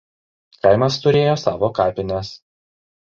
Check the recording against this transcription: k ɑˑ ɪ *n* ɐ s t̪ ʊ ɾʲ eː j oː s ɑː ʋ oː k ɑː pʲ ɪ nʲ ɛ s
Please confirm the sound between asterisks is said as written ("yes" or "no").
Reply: no